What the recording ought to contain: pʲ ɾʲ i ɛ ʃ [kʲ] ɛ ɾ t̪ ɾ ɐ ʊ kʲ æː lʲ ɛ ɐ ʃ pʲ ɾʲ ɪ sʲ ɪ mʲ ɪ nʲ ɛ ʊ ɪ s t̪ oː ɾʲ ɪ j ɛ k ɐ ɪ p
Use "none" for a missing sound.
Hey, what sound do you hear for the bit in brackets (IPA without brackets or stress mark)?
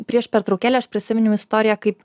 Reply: pʲ